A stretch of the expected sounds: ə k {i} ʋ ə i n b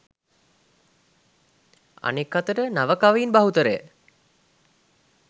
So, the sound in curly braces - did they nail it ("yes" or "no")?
no